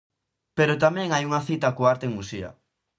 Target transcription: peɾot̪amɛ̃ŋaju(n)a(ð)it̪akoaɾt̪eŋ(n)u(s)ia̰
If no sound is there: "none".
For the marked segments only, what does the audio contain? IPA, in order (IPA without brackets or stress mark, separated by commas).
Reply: ŋ, θ, m, s